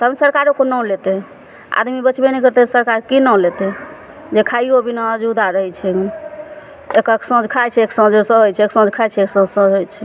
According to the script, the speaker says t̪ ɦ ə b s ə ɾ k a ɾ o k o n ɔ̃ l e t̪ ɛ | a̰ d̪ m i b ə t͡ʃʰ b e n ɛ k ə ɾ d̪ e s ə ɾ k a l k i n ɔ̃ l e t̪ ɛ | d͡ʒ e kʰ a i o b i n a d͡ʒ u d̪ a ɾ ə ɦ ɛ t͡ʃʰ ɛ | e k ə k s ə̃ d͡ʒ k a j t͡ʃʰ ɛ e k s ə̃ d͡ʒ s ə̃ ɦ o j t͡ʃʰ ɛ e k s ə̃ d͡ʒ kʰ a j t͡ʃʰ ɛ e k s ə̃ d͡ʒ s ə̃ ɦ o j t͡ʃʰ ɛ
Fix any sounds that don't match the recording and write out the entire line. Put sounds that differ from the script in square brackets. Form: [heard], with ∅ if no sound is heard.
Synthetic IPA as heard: t̪ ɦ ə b s ə ɾ k a ɾ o k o n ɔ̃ l e t̪ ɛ | a̰ d̪ m i b ə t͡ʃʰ b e n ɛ k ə ɾ [t̪] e s ə ɾ k a [ɾ] k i n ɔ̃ l e t̪ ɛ | d͡ʒ e kʰ a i o b i n a d͡ʒ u d̪ a ɾ ə ɦ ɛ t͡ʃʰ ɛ | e k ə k s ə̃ d͡ʒ [kʰ] a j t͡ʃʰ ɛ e k s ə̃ d͡ʒ s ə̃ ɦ o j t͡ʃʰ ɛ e k s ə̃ d͡ʒ kʰ a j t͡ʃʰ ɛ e k s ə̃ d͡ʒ s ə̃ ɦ o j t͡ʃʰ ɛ